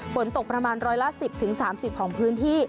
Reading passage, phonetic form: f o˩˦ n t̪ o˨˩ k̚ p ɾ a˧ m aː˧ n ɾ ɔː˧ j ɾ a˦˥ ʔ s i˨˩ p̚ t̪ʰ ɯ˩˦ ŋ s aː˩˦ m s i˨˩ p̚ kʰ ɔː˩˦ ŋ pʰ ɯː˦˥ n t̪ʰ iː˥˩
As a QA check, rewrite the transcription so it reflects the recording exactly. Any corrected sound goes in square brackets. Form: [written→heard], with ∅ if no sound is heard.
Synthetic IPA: f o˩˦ n t̪ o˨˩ k̚ p ɾ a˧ m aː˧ n ɾ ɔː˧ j [ɾ→l] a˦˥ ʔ s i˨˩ p̚ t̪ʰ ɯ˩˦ ŋ s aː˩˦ m s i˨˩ p̚ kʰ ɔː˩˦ ŋ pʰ ɯː˦˥ n t̪ʰ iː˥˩